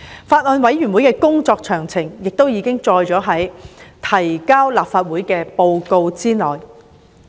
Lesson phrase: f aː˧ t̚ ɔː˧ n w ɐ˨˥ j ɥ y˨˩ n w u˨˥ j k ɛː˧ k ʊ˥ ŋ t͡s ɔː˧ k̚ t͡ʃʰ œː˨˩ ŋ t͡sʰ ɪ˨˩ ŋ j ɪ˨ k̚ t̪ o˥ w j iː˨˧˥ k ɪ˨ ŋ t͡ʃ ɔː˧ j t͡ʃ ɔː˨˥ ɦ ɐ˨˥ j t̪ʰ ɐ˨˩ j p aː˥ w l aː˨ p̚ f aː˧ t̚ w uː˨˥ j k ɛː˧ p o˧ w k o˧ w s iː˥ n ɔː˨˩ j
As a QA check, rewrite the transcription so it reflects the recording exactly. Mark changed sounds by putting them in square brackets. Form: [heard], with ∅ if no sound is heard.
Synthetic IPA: f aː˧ t̚ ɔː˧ n w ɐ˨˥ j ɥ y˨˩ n w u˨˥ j k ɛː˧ k ʊ˥ ŋ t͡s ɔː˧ k̚ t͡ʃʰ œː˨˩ ŋ t͡sʰ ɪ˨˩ ŋ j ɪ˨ k̚ t̪ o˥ w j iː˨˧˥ k [ɪ˥] ŋ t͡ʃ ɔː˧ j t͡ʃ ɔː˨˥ ɦ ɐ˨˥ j t̪ʰ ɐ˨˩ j [k] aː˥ w l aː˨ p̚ f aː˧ t̚ w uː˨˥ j k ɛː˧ p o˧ w k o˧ w [t͡s] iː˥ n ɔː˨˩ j

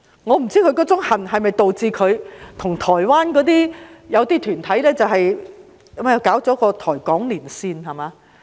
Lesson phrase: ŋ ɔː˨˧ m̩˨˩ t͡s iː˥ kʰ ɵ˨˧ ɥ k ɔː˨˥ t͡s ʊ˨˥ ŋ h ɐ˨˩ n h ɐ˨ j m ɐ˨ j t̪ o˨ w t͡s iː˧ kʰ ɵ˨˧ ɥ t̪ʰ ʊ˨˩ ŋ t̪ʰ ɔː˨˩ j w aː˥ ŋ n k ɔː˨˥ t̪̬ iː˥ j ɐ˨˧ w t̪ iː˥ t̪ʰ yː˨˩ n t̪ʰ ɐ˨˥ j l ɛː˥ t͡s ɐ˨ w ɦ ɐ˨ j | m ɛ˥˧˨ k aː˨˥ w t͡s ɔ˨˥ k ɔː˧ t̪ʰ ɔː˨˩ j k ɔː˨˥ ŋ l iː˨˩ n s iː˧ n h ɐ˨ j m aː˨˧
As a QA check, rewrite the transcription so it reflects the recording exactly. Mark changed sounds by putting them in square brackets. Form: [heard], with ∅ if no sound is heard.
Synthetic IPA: ŋ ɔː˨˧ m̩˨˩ t͡s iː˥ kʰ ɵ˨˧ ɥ k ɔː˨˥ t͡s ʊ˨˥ ŋ h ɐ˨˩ n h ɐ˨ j m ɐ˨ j t̪ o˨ w t͡s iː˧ kʰ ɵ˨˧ ɥ t̪ʰ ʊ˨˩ ŋ t̪ʰ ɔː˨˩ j w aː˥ [∅] n k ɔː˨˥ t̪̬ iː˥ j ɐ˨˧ w t̪ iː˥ t̪ʰ yː˨˩ n t̪ʰ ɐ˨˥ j l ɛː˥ t͡s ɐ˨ w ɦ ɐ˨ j | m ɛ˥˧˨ k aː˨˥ w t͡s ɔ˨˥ k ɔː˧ t̪ʰ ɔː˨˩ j k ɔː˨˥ ŋ l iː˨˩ n s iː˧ n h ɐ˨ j m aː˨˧

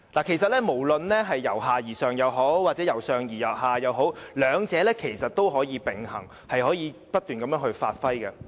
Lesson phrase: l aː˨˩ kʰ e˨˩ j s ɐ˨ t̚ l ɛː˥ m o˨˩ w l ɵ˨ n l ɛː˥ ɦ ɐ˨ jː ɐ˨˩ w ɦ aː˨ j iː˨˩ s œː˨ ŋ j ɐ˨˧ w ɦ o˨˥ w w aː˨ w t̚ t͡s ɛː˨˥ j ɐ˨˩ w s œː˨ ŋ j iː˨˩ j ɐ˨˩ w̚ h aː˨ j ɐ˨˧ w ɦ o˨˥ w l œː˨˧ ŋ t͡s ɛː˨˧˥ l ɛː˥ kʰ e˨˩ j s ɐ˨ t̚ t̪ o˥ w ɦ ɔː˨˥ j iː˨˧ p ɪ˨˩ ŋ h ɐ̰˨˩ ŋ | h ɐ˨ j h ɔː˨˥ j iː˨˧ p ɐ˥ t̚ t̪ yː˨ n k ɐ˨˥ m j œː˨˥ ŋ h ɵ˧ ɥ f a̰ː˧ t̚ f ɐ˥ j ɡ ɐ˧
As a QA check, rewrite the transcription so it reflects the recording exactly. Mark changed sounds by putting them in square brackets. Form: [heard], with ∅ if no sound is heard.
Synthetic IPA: l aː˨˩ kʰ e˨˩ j s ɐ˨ t̚ l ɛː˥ m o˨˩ w l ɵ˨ n l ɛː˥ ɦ ɐ˨ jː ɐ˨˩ w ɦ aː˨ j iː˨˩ s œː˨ ŋ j ɐ˨˧ w ɦ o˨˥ w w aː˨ [∅] t̚ t͡s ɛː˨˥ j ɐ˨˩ w s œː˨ ŋ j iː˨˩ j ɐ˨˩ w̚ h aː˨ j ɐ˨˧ w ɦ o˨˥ w l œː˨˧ ŋ t͡s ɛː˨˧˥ l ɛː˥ kʰ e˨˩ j s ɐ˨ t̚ t̪ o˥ w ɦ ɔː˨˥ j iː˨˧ p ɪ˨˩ ŋ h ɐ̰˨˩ ŋ | h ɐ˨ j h ɔː˨˥ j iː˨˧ p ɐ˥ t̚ t̪ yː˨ n k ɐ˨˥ m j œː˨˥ ŋ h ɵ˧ ɥ f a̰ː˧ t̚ f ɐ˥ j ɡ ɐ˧

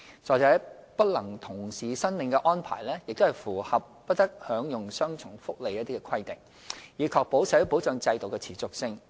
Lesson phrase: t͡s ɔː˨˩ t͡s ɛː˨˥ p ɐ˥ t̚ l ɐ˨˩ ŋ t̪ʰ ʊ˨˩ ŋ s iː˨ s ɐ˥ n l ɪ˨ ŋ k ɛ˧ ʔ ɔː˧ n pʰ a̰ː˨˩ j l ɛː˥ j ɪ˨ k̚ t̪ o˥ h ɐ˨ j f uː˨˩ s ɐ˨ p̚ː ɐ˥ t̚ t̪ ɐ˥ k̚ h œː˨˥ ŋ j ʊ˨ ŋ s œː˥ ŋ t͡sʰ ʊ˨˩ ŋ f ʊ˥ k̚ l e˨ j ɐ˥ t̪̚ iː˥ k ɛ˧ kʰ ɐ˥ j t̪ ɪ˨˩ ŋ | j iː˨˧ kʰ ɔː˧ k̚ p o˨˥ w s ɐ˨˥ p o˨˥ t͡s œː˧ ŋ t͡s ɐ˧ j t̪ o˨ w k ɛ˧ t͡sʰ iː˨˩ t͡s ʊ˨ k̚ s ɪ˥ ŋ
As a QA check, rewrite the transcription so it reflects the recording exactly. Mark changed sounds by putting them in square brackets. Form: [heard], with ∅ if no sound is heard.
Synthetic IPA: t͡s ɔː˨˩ t͡s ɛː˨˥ p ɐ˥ t̚ l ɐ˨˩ ŋ t̪ʰ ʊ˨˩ ŋ s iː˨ s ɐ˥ n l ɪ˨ ŋ k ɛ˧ ʔ [ɔː˥] n pʰ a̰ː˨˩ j l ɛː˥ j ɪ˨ k̚ t̪ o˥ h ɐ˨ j f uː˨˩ [h] ɐ˨ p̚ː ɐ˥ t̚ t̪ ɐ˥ k̚ h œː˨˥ ŋ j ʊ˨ ŋ s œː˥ ŋ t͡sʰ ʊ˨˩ ŋ f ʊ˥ k̚ l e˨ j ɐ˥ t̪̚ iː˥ k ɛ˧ kʰ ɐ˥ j t̪ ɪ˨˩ ŋ | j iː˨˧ kʰ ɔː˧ k̚ p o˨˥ w s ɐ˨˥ p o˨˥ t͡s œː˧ ŋ t͡s ɐ˧ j t̪ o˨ w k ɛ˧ t͡sʰ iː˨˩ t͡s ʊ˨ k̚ s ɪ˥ ŋ

